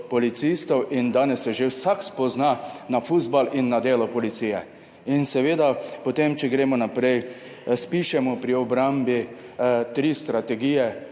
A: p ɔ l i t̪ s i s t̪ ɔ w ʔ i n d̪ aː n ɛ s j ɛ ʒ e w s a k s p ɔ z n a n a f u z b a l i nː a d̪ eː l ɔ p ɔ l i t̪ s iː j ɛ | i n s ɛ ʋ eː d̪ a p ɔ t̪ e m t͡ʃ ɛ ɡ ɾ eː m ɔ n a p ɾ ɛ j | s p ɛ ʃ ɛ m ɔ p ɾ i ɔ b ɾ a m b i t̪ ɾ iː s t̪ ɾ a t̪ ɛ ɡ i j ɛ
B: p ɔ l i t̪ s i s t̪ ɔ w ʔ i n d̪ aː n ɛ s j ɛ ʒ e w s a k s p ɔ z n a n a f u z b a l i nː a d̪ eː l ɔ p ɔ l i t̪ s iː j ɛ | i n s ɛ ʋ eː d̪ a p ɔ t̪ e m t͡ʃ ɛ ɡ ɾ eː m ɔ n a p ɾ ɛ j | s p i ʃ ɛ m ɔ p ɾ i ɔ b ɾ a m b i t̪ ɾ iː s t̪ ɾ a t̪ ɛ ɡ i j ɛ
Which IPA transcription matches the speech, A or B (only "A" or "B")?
B